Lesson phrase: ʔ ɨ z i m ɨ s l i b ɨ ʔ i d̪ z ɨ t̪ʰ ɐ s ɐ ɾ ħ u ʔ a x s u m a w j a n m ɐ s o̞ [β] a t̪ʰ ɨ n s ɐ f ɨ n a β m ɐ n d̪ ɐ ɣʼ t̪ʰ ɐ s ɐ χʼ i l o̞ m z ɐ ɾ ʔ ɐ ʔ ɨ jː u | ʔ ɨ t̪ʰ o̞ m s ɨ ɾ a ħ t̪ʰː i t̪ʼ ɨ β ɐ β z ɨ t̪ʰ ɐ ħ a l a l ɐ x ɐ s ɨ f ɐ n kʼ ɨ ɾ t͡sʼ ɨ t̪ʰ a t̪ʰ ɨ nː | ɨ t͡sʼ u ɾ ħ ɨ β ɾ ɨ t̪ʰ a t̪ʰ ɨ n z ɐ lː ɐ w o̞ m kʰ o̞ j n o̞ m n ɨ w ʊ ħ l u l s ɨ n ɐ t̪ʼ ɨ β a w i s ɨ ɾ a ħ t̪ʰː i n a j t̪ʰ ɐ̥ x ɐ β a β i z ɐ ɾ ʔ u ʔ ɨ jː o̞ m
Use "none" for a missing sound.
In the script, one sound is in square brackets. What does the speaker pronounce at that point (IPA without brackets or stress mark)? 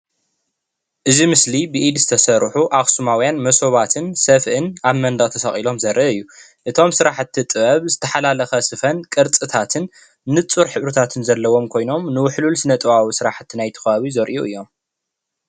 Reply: β